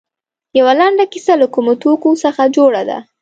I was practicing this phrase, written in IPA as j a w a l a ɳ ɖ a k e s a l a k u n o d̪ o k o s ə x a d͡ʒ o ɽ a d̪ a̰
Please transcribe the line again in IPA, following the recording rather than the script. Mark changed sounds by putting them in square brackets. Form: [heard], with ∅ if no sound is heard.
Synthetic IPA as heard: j a w a l a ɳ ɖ a k [i] s a l a k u [m] o [t̪] o k o s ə x a d͡ʒ o ɽ a d̪ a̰